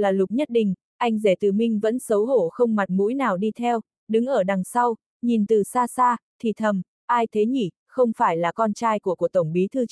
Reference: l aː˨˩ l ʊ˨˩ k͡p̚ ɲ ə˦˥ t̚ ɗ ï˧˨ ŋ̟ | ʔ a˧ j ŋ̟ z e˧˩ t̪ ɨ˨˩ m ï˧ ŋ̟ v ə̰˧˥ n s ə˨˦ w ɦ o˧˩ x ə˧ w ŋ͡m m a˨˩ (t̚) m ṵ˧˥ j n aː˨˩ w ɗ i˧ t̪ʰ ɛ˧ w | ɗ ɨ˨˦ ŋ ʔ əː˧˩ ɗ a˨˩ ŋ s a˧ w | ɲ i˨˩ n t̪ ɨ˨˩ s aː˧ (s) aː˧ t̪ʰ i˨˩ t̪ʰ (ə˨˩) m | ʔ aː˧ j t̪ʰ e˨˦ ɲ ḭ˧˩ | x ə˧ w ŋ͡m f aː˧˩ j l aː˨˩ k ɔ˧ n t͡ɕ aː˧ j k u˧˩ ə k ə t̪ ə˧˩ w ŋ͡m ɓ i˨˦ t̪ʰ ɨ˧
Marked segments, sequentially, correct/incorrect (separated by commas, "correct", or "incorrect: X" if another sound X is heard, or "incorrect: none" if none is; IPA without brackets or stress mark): correct, correct, correct